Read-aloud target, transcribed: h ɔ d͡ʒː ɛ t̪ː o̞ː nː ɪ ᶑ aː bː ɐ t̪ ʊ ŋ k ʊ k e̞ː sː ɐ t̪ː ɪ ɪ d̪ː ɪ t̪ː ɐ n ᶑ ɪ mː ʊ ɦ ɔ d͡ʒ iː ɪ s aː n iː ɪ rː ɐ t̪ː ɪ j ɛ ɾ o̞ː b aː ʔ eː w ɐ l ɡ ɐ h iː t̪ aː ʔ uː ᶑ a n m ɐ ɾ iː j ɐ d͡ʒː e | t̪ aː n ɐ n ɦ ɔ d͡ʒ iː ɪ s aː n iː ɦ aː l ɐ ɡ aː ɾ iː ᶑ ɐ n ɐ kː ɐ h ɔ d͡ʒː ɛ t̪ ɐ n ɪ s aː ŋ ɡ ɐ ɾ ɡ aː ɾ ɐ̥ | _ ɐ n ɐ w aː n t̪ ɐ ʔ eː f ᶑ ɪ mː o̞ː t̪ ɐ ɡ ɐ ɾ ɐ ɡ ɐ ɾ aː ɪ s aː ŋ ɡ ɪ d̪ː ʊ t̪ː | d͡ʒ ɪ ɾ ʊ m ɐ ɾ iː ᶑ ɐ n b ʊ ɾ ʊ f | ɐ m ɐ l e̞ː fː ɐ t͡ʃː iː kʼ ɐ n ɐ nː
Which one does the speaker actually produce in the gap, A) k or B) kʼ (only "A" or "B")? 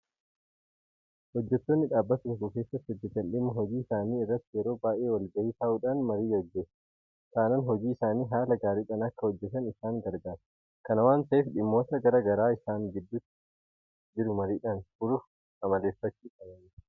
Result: A